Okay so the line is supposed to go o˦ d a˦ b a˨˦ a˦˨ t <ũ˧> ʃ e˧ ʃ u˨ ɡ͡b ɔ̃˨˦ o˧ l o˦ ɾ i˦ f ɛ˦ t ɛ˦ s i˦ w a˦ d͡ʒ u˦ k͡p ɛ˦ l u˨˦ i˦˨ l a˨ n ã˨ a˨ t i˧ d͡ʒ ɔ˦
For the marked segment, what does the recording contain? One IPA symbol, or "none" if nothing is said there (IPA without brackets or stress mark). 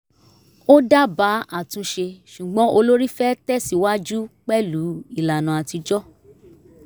ũ˧